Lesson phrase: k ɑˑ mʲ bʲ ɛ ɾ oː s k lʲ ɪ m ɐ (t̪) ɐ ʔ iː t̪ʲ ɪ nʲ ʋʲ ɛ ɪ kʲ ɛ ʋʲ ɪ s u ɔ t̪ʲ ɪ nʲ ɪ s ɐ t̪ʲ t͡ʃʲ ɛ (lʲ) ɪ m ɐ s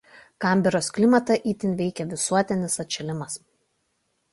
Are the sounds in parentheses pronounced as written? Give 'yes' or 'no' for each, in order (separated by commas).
yes, yes